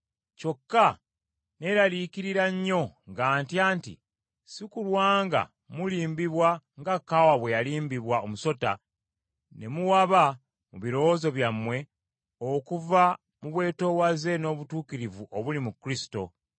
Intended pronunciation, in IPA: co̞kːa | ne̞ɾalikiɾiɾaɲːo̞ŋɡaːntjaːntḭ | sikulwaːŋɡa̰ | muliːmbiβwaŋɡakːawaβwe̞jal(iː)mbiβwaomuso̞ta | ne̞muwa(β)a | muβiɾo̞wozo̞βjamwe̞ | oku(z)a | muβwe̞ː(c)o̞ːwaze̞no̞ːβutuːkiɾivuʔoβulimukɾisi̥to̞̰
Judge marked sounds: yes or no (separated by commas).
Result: yes, yes, no, no